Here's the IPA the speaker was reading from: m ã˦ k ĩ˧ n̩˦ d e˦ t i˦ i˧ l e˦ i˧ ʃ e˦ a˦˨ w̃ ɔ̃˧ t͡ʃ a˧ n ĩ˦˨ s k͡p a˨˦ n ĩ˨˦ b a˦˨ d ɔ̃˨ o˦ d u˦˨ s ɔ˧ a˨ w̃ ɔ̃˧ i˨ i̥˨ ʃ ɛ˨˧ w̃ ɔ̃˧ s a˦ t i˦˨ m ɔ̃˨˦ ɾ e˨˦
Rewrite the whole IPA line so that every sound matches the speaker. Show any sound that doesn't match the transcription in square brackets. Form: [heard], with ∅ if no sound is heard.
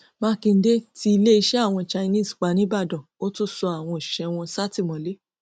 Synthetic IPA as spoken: m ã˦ k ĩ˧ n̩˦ d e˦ t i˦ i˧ l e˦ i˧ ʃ [ɛ˦] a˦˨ w̃ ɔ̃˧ t͡ʃ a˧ n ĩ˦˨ s k͡p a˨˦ n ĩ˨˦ b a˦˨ d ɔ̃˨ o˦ [t] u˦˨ s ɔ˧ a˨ w̃ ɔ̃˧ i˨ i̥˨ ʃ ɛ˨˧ w̃ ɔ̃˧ s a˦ t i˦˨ m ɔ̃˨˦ [l] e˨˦